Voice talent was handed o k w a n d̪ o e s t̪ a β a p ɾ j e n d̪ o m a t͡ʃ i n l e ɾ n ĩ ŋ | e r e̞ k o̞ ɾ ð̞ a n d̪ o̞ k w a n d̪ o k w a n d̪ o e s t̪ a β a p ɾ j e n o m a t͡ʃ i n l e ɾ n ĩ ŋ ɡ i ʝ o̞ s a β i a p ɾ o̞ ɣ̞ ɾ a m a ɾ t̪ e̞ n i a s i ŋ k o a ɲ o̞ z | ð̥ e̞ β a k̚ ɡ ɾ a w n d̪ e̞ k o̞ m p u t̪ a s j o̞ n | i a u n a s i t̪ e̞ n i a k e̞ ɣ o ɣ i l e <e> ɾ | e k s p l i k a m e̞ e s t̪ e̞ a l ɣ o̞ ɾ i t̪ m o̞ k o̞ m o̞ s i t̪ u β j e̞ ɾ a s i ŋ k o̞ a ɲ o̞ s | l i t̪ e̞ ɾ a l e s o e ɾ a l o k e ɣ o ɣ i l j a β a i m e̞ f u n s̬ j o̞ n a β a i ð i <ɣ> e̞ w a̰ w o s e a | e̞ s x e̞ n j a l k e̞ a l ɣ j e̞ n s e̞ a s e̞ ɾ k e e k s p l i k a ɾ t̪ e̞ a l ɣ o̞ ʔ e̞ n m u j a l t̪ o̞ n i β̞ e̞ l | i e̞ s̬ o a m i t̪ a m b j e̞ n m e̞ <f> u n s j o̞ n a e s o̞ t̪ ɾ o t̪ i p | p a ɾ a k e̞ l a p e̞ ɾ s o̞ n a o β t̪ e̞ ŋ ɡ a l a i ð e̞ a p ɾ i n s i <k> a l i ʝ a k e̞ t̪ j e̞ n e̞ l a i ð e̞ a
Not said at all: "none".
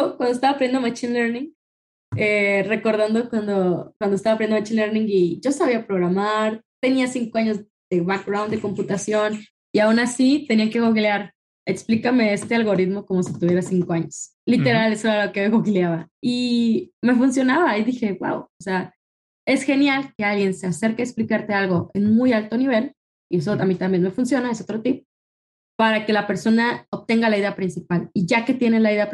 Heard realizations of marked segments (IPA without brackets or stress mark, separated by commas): a, x, f, p